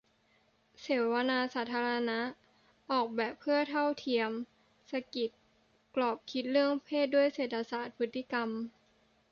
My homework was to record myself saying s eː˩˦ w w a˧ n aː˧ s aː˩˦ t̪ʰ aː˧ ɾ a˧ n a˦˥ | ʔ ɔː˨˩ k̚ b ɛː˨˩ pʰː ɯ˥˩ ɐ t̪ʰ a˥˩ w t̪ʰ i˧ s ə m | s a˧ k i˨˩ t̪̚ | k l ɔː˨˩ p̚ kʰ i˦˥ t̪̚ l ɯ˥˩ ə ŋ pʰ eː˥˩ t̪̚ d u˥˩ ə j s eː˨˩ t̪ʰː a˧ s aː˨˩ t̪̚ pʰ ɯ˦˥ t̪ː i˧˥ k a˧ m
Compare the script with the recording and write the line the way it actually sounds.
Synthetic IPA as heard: s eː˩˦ w w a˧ n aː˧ s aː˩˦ t̪ʰ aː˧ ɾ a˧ n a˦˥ | ʔ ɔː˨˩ k̚ b ɛː˨˩ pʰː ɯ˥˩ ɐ t̪ʰ a˥˩ w t̪ʰ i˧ ə m | s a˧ k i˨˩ t̪̚ | k l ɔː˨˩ p̚ kʰ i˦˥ t̪̚ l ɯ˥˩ ə ŋ pʰ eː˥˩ t̪̚ d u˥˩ ə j s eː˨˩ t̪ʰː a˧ s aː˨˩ t̪̚ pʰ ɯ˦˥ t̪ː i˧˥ k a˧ m